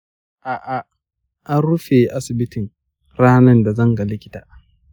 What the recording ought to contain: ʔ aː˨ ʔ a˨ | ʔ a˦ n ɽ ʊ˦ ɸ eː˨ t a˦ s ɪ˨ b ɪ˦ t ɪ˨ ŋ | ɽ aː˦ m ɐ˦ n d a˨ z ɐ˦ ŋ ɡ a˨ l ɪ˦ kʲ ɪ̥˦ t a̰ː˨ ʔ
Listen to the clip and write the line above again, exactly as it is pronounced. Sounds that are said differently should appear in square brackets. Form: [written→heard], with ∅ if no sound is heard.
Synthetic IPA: ʔ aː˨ ʔ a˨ | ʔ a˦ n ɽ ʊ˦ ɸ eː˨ [t→ʔ] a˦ s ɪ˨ b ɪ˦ t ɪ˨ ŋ | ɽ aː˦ [m→n] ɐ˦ n d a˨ z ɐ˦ ŋ ɡ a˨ l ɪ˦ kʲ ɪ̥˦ t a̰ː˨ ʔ

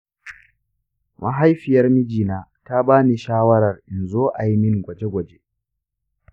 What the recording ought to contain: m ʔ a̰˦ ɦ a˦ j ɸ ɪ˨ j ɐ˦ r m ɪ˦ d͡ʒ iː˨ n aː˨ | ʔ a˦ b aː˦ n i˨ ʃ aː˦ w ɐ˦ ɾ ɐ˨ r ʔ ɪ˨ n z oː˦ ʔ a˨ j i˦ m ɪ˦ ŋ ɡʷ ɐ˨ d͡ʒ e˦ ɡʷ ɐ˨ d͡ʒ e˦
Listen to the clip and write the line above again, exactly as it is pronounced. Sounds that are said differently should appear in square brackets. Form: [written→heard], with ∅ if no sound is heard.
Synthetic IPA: m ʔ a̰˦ ɦ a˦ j ɸ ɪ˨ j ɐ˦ r m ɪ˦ d͡ʒ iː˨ n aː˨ | [ʔ→t] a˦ b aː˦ n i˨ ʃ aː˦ w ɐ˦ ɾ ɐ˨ r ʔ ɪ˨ n z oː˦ ʔ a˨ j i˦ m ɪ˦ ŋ ɡʷ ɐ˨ d͡ʒ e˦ ɡʷ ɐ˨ d͡ʒ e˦

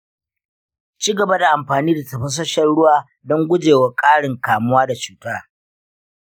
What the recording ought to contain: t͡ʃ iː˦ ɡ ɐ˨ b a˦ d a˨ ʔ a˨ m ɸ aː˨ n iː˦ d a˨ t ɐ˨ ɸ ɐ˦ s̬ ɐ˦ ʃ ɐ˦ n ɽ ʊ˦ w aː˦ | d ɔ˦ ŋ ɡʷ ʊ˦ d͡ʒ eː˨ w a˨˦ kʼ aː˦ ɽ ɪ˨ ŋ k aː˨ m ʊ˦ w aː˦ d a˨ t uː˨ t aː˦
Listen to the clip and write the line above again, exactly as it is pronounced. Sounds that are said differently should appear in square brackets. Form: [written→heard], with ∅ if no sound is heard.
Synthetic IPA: t͡ʃ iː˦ ɡ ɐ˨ b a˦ d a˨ ʔ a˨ m ɸ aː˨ n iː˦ d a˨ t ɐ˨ ɸ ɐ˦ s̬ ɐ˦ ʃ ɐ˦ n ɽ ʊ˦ w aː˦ | d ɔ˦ ŋ ɡʷ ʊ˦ d͡ʒ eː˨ w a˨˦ kʼ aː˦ ɽ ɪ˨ ŋ k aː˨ m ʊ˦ w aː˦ d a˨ [t→t͡ʃ] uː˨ t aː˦

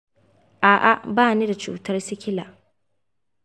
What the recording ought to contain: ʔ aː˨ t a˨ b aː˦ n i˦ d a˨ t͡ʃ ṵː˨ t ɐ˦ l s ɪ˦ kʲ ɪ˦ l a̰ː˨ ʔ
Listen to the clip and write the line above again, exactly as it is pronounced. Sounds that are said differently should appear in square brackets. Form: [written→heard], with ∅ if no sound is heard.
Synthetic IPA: ʔ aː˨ [t→ʔ] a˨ b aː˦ n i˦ d a˨ t͡ʃ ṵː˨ t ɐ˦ [l→r] s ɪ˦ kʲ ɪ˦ l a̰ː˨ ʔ

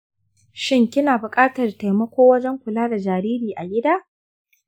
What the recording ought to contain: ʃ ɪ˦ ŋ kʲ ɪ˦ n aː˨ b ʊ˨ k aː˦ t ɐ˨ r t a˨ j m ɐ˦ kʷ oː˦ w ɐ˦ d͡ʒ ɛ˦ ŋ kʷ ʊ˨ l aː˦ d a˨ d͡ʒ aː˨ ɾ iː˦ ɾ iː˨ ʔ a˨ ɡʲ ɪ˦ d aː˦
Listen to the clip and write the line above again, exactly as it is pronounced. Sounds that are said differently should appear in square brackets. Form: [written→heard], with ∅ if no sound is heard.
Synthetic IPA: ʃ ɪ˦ ŋ kʲ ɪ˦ n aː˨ b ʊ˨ [k→kʼ] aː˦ t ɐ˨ r t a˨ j m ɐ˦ kʷ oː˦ w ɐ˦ d͡ʒ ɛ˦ ŋ kʷ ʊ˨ l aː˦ d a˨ d͡ʒ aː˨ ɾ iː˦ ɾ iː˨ ʔ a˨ ɡʲ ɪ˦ d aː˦

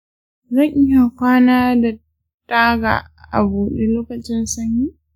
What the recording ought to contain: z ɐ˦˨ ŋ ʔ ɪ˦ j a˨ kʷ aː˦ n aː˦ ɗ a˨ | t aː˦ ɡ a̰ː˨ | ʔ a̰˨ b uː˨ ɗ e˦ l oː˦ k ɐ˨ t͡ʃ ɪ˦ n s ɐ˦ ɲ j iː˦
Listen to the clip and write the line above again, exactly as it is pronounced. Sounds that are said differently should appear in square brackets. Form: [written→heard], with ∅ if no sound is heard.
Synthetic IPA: z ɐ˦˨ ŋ ʔ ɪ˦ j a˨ kʷ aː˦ n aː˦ [ɗ→d] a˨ | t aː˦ ɡ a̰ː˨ | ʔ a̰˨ b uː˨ ɗ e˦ l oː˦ k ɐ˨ t͡ʃ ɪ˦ n s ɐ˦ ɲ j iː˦

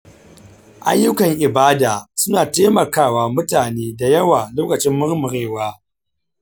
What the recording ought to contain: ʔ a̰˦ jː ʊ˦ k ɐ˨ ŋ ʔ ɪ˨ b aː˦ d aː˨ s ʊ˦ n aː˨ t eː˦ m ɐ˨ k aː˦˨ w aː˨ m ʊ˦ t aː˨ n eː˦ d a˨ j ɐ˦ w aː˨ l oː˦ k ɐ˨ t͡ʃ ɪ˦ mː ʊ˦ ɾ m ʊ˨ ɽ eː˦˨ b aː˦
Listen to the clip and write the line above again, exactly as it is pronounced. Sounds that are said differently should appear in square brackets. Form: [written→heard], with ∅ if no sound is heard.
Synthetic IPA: ʔ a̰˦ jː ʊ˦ k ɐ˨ ŋ ʔ ɪ˨ b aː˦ d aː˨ s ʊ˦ n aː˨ t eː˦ m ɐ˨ k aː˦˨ w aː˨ m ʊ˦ t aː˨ n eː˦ d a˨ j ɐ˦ w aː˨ l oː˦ k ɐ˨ t͡ʃ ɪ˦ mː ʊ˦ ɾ m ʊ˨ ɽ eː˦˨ [b→w] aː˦

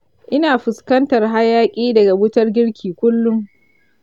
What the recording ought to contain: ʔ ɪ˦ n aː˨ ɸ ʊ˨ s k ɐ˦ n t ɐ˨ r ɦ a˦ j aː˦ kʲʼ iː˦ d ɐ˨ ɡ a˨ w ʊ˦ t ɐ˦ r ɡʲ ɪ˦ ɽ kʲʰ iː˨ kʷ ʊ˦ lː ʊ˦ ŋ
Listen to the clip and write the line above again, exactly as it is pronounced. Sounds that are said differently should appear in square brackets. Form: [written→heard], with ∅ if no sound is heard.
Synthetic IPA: ʔ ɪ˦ n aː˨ ɸ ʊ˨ s k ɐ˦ n t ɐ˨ r ɦ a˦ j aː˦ kʲʼ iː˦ d ɐ˨ ɡ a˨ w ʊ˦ t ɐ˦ r ɡʲ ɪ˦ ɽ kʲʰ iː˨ kʷ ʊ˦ lː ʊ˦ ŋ

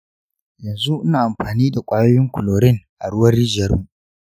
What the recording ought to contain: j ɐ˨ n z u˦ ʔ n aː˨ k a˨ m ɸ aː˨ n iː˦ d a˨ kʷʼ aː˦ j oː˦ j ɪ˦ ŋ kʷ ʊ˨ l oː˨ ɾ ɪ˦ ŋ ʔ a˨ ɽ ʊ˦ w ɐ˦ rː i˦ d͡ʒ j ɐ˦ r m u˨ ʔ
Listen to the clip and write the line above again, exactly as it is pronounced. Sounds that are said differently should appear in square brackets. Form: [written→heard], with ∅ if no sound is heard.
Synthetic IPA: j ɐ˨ n z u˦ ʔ n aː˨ [k→ʔ] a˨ m ɸ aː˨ n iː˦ d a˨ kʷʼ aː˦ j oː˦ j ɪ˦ ŋ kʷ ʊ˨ l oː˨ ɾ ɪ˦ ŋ ʔ a˨ ɽ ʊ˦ w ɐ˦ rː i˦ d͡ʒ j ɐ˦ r m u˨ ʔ

